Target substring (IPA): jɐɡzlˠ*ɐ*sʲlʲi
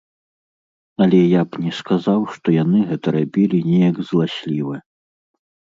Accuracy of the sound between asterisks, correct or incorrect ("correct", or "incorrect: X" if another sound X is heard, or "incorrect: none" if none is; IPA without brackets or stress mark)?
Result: incorrect: a